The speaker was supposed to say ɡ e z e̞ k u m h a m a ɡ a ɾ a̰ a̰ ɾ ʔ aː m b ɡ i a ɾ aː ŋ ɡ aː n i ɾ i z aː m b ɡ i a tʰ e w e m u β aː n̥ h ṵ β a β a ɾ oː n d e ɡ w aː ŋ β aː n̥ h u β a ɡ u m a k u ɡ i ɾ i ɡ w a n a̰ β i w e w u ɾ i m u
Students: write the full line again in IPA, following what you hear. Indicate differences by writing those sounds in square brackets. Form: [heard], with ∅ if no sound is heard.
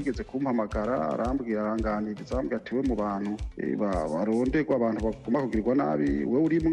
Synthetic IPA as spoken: ɡ e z e̞ k u m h a m a ɡ a ɾ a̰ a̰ ɾ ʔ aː m b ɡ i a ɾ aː ŋ ɡ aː n i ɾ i z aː m b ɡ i a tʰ e w e m u β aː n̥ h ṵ β a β a ɾ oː n d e ɡ w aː [∅] β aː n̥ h u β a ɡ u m a k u ɡ i ɾ i ɡ w a n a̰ β i w e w u ɾ i m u